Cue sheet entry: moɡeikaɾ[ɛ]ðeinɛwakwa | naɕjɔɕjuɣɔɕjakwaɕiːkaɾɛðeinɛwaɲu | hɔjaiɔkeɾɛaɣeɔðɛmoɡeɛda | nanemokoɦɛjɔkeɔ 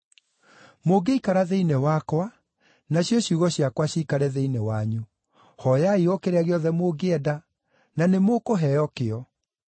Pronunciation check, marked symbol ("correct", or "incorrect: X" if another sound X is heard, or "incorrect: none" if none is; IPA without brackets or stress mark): incorrect: a